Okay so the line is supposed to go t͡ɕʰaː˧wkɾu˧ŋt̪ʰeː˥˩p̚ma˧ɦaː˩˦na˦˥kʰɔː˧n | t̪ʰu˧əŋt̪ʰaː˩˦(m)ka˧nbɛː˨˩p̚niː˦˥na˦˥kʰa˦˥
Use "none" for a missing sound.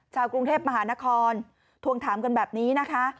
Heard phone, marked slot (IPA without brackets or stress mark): m